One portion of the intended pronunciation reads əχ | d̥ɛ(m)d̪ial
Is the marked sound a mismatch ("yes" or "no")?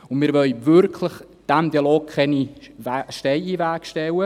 no